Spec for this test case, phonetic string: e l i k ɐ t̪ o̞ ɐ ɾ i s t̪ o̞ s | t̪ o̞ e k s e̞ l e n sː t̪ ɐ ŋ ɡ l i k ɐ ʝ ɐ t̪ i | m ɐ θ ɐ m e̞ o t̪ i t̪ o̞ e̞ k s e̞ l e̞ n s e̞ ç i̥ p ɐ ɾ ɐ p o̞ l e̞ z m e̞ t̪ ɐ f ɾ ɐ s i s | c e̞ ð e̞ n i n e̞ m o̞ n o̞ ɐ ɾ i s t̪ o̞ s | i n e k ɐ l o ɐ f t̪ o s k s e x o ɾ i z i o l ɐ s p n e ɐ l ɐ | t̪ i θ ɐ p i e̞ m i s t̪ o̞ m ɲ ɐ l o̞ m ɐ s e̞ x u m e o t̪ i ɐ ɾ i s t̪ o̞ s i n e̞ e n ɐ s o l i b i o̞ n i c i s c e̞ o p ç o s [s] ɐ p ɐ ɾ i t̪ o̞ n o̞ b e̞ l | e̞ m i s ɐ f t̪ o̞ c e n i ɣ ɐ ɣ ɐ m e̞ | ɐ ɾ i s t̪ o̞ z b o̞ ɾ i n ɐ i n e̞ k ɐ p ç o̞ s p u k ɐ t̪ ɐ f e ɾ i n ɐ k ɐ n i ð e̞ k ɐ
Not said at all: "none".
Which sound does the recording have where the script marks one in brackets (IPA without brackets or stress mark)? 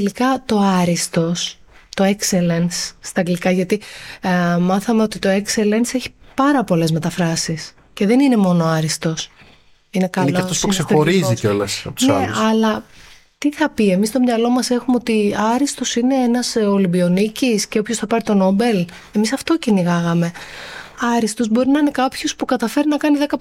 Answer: θ